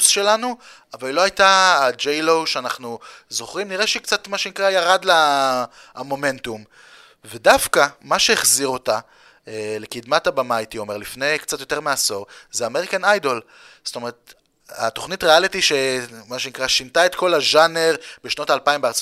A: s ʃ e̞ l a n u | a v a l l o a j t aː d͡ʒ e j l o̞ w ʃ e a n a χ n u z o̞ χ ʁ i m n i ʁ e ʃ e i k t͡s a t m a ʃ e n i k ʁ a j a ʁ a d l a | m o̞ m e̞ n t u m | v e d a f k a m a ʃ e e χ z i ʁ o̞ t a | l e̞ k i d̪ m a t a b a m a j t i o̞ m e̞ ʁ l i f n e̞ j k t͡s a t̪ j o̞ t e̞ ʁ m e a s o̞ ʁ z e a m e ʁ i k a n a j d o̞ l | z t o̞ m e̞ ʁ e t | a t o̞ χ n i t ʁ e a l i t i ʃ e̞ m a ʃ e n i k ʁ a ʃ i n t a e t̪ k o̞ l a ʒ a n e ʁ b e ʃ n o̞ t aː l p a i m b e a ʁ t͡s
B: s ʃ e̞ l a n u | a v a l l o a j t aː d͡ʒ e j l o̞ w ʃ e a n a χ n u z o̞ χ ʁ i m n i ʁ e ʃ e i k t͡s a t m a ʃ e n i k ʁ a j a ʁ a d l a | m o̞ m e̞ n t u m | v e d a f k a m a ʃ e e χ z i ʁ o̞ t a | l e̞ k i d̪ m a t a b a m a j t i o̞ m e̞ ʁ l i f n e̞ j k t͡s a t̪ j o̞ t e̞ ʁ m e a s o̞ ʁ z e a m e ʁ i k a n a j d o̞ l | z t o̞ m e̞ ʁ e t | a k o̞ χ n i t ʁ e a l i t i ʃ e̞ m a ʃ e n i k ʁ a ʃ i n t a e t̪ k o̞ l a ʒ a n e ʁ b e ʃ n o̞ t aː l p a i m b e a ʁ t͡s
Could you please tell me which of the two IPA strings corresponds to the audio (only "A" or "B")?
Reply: A